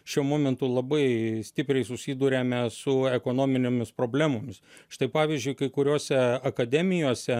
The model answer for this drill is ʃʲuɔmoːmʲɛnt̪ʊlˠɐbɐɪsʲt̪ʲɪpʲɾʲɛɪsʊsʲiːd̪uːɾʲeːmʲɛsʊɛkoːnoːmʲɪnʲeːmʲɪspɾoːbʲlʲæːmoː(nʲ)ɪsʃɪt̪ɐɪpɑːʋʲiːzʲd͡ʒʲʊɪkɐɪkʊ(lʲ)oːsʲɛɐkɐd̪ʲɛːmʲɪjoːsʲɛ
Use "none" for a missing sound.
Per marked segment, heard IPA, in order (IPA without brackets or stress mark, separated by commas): mʲ, ɾʲ